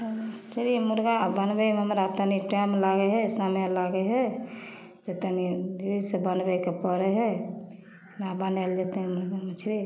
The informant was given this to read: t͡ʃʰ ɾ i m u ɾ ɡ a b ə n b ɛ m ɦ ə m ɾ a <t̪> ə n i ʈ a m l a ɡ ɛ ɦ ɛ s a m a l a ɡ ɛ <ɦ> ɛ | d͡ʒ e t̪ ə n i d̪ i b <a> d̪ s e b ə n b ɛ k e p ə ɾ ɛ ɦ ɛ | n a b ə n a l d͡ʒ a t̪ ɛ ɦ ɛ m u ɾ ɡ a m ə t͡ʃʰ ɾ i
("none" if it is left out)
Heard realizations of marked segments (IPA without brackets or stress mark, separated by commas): t̪, ɦ, i